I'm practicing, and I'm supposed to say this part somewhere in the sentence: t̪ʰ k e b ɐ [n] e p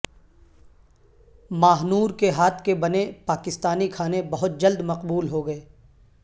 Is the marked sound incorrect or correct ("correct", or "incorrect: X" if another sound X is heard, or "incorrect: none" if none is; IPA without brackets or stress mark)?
correct